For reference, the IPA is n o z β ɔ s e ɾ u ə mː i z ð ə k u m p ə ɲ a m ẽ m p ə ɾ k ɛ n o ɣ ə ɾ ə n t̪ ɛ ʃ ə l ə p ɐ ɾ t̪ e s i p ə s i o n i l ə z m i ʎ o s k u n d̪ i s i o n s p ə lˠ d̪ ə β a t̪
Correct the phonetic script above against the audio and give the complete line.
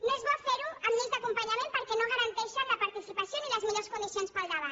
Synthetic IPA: n o z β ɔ f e ɾ u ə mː i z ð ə k u m p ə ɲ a m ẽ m p ə ɾ k ɛ n o ɣ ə ɾ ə n t̪ ɛ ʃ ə l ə p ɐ ɾ t̪ i s i p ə s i o n i l ə z m i ʎ o s k u n d̪ i s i o n s p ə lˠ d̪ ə β a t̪